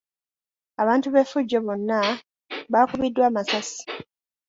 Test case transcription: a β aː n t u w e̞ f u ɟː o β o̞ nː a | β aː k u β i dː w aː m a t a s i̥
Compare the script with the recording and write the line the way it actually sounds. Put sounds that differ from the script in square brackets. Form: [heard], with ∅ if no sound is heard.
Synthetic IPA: a β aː n t u [β] e̞ f u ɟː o β o̞ nː a | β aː k u β i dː w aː m a [s] a s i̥